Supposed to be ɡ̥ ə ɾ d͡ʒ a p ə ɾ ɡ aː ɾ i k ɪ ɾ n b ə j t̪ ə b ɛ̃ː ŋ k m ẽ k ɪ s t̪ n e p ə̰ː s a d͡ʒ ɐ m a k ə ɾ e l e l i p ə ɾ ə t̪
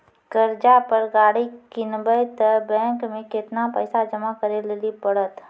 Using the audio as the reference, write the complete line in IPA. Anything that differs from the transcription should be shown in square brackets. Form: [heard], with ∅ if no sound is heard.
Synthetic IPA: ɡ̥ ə ɾ d͡ʒ a p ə ɾ ɡ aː [ɽ] i k ɪ [∅] n b ə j t̪ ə b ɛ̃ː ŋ k m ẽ k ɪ [∅] t̪ n [a] p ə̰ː s a d͡ʒ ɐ m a k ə ɾ e l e l i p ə [ɽ] ə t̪